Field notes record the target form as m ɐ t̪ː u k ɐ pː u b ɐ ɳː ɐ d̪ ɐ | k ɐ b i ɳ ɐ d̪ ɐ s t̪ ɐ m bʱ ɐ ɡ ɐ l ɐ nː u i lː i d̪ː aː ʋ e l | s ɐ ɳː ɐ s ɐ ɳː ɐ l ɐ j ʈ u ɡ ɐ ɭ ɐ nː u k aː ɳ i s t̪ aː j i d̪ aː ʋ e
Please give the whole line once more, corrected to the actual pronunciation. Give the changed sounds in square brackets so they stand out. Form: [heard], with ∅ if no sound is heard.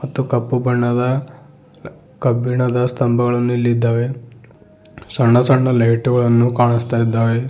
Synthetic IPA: m ɐ t̪ː u k ɐ pː u b ɐ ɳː ɐ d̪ ɐ | k ɐ b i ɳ ɐ d̪ ɐ s t̪ ɐ m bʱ ɐ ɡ ɐ [ɭ] ɐ nː u i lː i d̪ː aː ʋ e [∅] | s ɐ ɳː ɐ s ɐ ɳː ɐ l ɐ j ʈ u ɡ ɐ ɭ ɐ nː u k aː ɳ i s t̪ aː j i [d̪ː] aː ʋ e